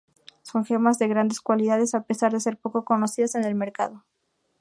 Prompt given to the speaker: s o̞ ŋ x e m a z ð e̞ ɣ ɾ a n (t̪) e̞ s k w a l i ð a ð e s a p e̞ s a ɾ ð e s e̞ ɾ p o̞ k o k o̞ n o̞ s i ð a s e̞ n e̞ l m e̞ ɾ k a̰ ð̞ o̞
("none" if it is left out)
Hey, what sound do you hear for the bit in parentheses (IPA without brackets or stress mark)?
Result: d̪